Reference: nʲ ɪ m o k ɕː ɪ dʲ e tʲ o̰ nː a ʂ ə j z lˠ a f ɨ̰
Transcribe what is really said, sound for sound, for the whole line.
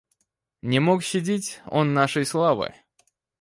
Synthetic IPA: nʲ ɪ m o k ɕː ɪ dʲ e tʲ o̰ nː a ʂ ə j s lˠ a v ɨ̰